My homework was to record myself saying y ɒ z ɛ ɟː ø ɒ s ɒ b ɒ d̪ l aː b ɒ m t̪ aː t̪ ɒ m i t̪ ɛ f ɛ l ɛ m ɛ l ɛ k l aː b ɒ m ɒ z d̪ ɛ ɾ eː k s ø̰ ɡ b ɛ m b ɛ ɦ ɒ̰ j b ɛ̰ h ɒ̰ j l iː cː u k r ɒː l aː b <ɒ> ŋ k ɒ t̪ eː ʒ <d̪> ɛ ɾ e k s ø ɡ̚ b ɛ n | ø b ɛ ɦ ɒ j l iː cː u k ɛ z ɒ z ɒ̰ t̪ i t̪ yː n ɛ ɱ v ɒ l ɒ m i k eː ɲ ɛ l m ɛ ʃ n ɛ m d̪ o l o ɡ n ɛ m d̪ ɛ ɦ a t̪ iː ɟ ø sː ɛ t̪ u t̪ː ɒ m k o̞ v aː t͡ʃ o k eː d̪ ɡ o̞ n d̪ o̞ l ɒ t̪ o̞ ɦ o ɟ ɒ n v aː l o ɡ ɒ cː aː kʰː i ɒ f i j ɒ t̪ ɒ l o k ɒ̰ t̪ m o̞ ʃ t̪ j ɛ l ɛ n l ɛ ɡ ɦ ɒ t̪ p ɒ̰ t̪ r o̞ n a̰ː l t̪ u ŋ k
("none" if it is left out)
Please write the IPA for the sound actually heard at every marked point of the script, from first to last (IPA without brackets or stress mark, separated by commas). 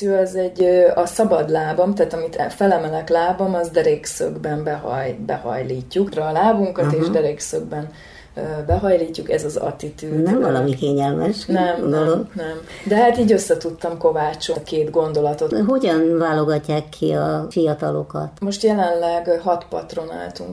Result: u, d̪